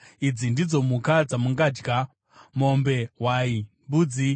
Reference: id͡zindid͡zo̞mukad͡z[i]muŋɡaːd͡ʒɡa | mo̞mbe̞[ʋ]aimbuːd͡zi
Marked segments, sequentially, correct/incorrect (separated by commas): incorrect, incorrect